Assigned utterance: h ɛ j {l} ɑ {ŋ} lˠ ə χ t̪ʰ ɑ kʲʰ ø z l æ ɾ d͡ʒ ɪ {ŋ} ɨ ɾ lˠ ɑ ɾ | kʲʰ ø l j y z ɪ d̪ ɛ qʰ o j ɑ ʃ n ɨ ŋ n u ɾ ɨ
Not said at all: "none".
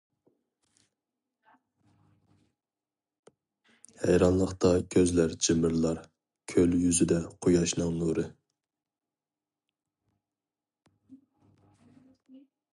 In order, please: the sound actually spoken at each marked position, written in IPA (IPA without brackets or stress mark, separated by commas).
ɾ, n, m